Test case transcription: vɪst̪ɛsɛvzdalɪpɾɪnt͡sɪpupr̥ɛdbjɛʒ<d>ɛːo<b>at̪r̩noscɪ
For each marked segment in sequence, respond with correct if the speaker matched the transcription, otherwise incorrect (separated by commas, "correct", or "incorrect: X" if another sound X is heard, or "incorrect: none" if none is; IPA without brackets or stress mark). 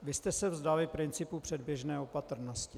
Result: incorrect: n, incorrect: p